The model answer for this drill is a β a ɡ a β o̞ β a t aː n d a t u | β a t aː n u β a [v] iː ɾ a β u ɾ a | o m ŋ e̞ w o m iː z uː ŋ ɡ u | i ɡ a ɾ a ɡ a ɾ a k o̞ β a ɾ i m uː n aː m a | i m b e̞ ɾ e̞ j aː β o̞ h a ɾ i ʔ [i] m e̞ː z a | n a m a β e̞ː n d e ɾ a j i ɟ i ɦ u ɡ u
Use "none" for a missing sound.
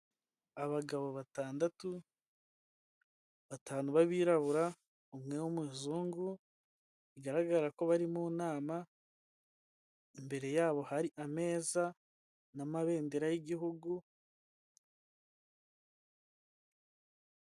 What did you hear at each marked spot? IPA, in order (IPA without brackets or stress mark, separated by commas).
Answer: β, a